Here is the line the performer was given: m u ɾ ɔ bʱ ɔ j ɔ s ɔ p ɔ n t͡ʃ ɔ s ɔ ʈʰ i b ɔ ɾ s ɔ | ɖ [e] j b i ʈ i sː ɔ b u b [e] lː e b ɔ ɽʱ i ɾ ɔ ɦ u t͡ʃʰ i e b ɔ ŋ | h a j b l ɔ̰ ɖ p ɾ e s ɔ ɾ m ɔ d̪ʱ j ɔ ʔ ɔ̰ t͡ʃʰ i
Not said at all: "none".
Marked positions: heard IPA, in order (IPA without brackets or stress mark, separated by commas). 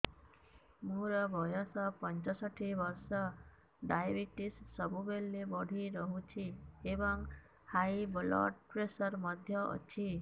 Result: a, e